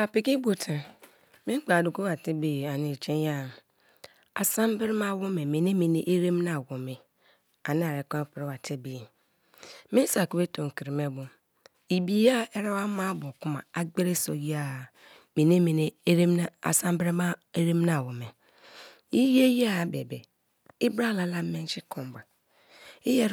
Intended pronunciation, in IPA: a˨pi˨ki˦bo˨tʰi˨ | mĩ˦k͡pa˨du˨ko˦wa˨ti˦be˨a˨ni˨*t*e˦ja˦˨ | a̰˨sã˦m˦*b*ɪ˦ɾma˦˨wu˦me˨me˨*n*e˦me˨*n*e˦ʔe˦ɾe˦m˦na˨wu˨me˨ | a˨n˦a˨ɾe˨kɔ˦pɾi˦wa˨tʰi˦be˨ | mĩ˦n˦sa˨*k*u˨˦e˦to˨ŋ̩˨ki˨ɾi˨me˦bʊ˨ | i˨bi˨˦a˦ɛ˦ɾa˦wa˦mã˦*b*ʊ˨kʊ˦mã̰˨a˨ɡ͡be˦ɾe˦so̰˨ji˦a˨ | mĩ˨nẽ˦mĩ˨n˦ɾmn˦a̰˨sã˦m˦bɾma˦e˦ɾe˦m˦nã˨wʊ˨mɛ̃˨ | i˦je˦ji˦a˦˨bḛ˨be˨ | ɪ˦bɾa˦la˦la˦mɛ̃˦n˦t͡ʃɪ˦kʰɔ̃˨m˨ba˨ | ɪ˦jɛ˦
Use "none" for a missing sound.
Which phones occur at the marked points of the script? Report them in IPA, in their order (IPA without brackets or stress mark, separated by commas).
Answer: t͡ʃ, b, n, n, k, b